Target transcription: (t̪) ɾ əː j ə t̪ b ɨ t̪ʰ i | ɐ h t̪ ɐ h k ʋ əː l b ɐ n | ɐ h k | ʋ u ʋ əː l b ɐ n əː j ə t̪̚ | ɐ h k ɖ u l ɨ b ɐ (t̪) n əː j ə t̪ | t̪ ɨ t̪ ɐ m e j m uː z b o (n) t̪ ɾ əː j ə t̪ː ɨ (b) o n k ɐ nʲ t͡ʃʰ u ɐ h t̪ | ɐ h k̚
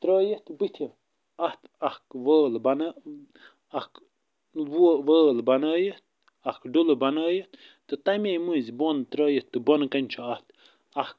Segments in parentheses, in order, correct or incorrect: correct, incorrect, correct, correct

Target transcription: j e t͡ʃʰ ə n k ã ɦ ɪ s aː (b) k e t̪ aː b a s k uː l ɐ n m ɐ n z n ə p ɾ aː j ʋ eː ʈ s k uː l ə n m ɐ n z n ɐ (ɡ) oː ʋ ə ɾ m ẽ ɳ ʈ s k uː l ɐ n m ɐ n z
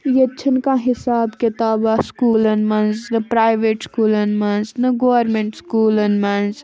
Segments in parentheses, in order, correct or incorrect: correct, correct

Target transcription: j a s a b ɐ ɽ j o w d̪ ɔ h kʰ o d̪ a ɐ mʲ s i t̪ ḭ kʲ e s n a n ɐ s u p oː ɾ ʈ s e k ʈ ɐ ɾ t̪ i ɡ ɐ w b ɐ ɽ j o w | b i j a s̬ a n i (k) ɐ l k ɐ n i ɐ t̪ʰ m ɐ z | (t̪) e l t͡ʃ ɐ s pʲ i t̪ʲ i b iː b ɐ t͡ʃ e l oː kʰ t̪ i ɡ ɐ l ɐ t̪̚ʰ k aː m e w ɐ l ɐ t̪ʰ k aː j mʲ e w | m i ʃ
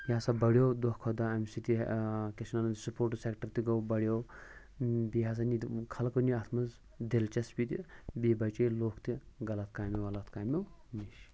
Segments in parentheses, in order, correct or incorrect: incorrect, incorrect

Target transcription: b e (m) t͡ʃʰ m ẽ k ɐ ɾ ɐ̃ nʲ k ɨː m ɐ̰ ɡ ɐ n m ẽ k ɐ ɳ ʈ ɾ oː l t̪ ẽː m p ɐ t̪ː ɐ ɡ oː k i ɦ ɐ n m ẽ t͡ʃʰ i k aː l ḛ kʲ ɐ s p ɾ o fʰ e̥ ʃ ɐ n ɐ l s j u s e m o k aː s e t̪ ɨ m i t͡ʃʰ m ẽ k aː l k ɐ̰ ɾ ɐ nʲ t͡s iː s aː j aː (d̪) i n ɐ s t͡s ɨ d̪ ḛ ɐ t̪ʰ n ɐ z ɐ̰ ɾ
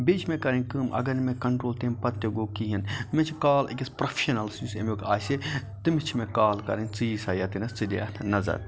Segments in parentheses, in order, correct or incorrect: incorrect, incorrect

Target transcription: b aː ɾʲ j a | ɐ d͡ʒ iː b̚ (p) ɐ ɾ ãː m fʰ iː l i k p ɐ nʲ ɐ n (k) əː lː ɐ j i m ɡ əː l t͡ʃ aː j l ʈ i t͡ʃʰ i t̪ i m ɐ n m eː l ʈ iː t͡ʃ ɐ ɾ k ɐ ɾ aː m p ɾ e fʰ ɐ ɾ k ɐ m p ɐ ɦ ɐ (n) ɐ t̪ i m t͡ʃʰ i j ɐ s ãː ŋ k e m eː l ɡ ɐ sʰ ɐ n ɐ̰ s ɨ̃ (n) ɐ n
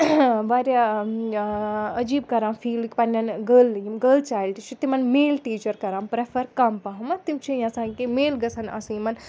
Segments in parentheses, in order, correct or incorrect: incorrect, incorrect, incorrect, incorrect

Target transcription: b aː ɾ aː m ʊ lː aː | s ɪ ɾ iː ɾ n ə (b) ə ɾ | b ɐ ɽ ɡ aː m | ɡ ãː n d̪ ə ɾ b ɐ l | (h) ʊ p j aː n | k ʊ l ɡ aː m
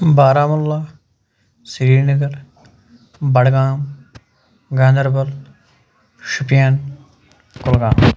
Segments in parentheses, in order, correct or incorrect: incorrect, incorrect

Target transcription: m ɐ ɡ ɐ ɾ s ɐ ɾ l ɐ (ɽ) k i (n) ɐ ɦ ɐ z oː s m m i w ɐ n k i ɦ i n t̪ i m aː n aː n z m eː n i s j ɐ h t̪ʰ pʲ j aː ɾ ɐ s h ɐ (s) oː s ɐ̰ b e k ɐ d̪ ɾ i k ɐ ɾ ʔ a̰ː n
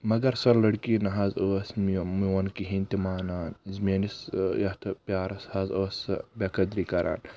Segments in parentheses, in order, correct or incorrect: correct, correct, incorrect

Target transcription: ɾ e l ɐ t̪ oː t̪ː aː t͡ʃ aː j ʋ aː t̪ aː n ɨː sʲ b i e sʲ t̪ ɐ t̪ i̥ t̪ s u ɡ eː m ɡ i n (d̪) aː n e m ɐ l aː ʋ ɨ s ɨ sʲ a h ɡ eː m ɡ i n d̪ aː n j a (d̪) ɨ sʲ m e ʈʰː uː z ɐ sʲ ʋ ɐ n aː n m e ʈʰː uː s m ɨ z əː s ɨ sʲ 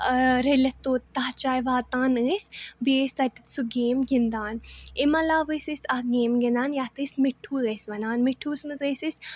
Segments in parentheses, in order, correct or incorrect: correct, incorrect

